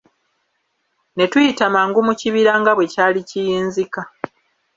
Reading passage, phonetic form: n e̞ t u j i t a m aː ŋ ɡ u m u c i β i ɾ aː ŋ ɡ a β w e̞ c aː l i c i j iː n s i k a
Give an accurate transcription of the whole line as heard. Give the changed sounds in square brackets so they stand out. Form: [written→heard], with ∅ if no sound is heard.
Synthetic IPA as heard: n e̞ t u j i t a m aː ŋ ɡ u m u c i β i ɾ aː ŋ ɡ a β w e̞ c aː l i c i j iː n [s→z] i k a